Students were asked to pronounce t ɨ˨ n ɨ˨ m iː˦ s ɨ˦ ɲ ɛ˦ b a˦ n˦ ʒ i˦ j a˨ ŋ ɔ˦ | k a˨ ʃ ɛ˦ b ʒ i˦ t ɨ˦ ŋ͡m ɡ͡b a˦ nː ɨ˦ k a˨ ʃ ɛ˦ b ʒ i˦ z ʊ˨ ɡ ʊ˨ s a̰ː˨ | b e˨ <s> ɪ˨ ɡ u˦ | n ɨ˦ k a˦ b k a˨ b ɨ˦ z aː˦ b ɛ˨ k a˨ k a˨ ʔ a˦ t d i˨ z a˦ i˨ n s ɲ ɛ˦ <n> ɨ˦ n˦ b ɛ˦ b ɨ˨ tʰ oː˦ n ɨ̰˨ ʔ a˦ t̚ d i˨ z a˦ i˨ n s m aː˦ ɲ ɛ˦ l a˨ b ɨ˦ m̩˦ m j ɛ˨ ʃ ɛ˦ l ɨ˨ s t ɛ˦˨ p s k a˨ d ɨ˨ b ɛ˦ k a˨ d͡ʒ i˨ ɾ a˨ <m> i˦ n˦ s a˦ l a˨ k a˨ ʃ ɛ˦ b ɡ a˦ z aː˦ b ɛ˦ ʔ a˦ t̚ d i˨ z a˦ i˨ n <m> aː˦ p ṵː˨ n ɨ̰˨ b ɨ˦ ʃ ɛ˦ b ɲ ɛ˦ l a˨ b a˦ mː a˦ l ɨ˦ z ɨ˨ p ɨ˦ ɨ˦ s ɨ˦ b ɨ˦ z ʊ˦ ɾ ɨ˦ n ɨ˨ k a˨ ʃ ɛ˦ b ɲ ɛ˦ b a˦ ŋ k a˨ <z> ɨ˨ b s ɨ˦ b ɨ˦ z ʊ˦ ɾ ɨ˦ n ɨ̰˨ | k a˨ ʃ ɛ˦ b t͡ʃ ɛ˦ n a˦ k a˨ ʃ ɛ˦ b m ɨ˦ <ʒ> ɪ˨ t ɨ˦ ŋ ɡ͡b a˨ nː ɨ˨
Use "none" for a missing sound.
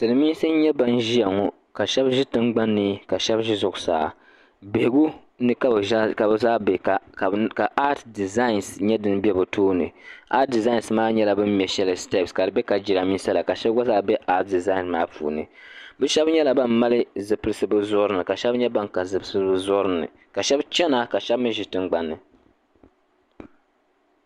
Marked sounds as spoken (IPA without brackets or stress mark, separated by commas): h, d, m, m, z, ʒ